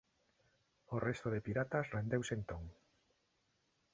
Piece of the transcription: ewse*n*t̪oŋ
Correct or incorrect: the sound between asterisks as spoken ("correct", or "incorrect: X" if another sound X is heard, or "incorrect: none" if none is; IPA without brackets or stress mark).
correct